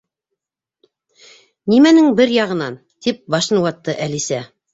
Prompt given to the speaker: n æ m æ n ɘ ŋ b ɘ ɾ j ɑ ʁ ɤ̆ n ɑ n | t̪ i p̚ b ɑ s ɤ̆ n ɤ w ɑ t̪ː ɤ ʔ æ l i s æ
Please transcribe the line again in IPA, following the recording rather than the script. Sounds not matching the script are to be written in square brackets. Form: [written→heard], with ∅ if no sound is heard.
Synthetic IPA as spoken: n [æ→i] m æ n ɘ ŋ b ɘ ɾ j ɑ ʁ ɤ̆ n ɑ n | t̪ i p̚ b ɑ [s→ʃ] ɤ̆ n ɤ w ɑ t̪ː ɤ ʔ æ l i s æ